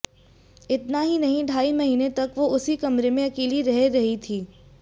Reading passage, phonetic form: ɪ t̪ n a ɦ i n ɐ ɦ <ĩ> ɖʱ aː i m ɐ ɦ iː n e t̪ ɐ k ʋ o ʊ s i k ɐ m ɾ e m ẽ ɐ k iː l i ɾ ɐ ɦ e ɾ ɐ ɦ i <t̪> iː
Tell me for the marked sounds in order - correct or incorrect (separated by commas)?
correct, incorrect